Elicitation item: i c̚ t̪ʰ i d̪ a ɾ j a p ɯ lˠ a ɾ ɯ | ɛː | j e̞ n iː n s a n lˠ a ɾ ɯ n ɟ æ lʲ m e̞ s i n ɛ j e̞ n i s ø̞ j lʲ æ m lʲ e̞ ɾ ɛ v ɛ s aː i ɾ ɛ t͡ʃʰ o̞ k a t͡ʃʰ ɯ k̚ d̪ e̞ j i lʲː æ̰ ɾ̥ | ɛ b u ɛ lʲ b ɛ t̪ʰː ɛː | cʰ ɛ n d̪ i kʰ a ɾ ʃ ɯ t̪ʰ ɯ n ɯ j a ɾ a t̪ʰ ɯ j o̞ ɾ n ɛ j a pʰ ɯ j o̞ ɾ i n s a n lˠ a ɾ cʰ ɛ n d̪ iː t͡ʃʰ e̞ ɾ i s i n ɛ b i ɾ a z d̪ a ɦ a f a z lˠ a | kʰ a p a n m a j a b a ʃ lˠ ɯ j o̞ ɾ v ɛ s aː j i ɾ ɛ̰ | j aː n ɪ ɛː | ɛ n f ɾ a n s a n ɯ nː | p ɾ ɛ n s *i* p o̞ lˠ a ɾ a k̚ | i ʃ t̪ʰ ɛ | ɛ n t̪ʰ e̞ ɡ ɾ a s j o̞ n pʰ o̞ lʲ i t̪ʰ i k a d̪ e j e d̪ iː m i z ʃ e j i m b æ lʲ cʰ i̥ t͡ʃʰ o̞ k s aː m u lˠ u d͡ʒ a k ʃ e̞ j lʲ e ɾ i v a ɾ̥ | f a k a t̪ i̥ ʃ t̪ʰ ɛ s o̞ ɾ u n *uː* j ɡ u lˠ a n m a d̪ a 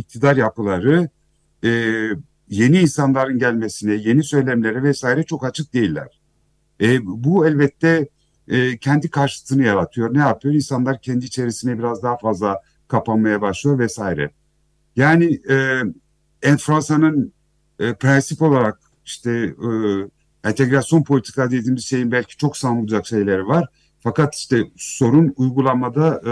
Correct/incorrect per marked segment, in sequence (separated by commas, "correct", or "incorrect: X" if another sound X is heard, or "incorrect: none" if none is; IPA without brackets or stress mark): correct, incorrect: u